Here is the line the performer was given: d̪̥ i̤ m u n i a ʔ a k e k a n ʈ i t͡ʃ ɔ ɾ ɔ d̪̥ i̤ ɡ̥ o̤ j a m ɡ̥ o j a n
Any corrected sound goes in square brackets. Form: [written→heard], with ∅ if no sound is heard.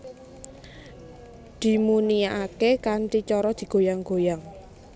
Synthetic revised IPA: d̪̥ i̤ m u n i a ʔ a k e k a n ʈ i t͡ʃ ɔ ɾ ɔ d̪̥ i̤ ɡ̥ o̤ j a [m→ŋ] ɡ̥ o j a [n→ŋ]